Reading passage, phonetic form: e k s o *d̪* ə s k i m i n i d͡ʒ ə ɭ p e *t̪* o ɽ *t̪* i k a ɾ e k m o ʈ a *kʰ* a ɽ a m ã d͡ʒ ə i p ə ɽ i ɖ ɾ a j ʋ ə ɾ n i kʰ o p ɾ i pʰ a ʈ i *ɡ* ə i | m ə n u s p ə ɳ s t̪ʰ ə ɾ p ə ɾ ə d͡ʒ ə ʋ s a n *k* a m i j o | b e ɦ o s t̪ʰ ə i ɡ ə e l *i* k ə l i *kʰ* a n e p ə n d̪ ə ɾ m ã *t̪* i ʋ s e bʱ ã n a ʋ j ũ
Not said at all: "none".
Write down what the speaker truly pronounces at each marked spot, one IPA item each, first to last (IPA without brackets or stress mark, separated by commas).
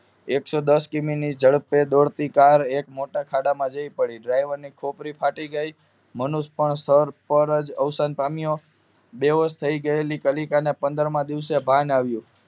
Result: d̪, d̪, t̪, kʰ, ɡ, p, i, k, d̪